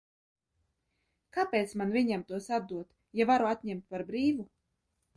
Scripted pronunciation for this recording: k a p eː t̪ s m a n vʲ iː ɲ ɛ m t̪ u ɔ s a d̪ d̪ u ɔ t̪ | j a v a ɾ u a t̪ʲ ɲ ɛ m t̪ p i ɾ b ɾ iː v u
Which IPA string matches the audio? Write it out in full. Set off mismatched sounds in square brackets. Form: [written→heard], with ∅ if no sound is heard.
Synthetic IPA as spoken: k a p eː t̪ s m a n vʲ [iː→i] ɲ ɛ m t̪ u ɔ s a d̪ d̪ u ɔ t̪ | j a v a ɾ u a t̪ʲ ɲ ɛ m t̪ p [i→a] ɾ b ɾ iː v u